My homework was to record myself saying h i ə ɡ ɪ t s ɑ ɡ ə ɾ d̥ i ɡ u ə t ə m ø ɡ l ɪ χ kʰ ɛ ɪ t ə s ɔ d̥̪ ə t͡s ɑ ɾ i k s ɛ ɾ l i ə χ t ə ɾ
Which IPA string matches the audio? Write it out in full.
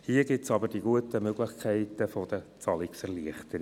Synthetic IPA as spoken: h i ə ɡ ɪ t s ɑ b ə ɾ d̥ i ɡ u ə t ə m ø ɡ l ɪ χ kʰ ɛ ɪ t ə f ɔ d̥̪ ə t͡s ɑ l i k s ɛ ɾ l i ə χ t ə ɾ